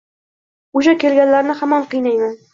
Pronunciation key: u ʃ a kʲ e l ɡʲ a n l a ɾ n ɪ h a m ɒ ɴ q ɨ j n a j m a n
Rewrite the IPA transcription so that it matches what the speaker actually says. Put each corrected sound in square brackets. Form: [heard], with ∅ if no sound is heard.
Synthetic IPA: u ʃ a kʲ e l ɡʲ a n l a ɾ n ɪ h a m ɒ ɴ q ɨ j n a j m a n